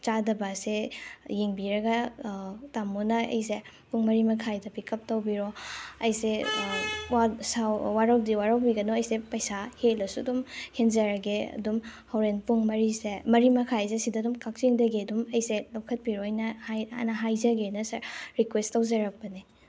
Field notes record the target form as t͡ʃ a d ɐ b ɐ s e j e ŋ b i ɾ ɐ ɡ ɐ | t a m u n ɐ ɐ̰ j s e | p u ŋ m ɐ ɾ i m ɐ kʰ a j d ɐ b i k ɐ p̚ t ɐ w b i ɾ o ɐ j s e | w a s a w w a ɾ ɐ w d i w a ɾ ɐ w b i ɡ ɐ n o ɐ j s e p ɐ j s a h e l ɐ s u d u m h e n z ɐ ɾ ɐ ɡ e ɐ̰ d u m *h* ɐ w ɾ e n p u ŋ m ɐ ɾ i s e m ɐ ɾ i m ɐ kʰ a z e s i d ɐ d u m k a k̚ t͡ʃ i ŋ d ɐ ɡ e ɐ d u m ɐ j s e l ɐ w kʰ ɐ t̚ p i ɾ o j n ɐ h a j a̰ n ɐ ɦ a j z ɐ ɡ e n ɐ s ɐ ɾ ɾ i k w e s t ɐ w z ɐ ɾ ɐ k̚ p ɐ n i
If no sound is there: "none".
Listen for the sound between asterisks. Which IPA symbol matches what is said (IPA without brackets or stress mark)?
h